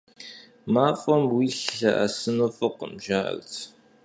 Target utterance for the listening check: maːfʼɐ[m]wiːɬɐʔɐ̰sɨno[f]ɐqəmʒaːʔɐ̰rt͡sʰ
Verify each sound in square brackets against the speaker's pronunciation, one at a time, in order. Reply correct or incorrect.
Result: correct, correct

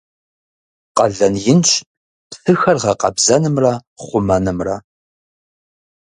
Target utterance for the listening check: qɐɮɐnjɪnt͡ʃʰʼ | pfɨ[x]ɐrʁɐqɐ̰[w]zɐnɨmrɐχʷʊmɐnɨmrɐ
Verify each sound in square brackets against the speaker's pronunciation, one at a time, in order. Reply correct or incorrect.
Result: correct, incorrect

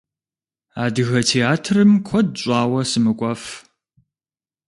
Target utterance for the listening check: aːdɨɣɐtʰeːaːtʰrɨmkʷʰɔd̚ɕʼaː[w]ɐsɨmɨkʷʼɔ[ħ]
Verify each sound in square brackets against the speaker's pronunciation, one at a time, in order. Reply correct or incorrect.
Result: correct, incorrect

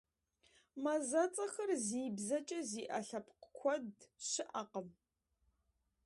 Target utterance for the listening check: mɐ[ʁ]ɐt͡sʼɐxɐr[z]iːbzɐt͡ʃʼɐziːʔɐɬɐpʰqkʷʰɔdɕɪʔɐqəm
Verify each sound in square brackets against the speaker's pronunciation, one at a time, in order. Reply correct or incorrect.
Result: incorrect, correct

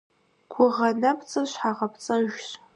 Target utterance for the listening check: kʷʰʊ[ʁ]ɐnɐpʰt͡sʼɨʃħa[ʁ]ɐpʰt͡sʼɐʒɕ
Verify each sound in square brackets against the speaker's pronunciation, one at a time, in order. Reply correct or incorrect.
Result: correct, correct

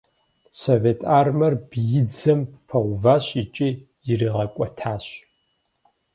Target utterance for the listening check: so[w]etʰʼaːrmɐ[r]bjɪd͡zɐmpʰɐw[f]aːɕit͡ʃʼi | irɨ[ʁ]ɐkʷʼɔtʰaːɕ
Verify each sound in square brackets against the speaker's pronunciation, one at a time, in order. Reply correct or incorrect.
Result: incorrect, correct, incorrect, correct

